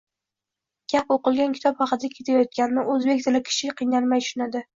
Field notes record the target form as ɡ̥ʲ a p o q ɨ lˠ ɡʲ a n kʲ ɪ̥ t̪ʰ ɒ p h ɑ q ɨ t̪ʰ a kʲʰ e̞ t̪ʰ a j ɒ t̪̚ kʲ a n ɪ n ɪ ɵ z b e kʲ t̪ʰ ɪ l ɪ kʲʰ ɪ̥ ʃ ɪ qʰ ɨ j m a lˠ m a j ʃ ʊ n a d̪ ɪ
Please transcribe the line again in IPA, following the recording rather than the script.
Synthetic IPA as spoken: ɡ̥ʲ a p o q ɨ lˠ ɡʲ a n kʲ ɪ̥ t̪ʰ ɒ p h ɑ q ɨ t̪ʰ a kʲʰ e̞ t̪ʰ a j ɒ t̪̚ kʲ a n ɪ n ɪ ɵ z b e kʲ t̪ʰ ɪ l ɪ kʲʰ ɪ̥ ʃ ɪ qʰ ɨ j n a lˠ m a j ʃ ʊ n a d̪ ɪ